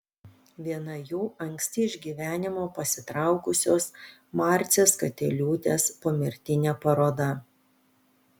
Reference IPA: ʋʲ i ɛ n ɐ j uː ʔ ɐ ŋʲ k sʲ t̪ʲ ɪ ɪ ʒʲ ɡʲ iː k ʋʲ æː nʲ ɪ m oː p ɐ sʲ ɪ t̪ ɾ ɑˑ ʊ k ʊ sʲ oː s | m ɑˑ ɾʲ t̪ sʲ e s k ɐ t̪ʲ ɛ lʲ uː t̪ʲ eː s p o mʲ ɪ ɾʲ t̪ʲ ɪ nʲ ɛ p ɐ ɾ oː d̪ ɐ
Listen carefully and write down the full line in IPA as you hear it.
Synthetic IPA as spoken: ʋʲ i ɛ n ɐ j uː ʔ ɐ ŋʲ k sʲ t̪ʲ ɪ ɪ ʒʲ ɡʲ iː ʋʲ æː nʲ ɪ m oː p ɐ sʲ ɪ t̪ ɾ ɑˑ ʊ k ʊ sʲ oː s | m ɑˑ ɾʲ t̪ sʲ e s k ɐ t̪ʲ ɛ lʲ uː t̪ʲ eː s p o mʲ ɪ ɾʲ t̪ʲ ɪ nʲ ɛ p ɐ ɾ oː d̪ ɐ